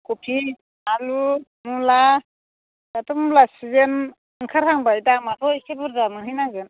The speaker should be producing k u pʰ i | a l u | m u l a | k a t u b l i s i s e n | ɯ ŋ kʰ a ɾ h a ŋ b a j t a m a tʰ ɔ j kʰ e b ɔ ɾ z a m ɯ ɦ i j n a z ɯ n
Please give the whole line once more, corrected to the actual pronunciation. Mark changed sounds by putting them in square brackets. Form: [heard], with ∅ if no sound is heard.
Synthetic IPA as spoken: k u pʰ i | a l u | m u l a | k a t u [m] l [a] s i [z] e n | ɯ ŋ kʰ a ɾ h a ŋ b a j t a m a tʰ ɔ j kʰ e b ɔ ɾ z a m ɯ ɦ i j n a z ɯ n